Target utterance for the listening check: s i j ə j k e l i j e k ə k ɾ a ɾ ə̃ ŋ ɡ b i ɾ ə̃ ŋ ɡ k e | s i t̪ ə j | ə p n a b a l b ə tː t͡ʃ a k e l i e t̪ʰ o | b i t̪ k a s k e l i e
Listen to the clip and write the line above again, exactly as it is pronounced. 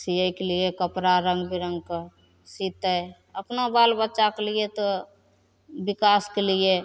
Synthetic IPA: s i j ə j k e l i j e k ə p ɾ a ɾ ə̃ ŋ ɡ b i ɾ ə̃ ŋ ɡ k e | s i t̪ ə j | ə p n a b a l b ə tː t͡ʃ a k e l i e t̪ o | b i k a s k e l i e

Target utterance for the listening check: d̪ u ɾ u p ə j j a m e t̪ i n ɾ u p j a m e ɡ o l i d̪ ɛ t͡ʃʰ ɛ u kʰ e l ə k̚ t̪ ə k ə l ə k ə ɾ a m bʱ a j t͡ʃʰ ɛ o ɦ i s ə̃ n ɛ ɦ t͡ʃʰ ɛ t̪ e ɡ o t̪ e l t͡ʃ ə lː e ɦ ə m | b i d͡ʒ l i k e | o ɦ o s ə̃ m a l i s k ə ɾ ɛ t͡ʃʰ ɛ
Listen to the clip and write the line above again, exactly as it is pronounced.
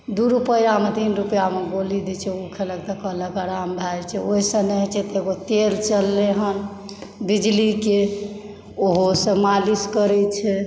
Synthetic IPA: d̪ u ɾ u p ə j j a m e t̪ i n ɾ u p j a m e ɡ o l i d̪ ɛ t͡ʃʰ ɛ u kʰ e l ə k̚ t̪ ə k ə l ə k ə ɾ a m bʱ a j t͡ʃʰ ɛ o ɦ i s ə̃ n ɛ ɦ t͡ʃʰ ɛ t̪ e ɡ o t̪ e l t͡ʃ ə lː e ɦ ə n | b i d͡ʒ l i k e | o ɦ o s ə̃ m a l i s k ə ɾ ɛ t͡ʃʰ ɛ

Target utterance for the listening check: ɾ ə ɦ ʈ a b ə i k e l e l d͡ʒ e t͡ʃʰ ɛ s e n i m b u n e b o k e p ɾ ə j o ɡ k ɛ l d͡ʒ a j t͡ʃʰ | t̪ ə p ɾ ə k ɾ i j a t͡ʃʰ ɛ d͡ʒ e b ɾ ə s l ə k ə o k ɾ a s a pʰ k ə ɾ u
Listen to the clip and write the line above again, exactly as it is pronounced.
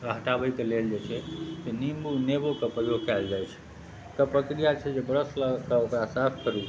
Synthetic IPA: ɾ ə ɦ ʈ a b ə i k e l e l d͡ʒ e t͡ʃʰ ɛ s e n i m b u n e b o k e p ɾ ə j o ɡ k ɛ l d͡ʒ a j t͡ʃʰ | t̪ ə p ɾ ə k ɾ i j a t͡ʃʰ ɛ d͡ʒ e b ɾ ə s l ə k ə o k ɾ a s a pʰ k ə ɾ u

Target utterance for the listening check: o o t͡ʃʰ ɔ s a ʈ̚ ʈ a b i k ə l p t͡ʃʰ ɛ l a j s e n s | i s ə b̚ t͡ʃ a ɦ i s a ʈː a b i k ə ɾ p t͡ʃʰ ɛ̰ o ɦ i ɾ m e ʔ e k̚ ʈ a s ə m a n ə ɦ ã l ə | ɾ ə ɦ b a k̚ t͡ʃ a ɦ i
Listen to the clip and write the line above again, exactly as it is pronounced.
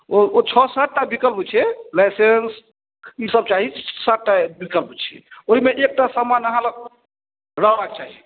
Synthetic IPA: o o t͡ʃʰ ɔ s a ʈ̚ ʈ a b i k ə l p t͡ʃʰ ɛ l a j s e n s | i s ə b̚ t͡ʃ a ɦ i s a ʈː a b i k ə l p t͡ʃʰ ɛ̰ o ɦ i m e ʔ e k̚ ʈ a s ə m a n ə ɦ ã l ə | ɾ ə ɦ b a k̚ t͡ʃ a ɦ i

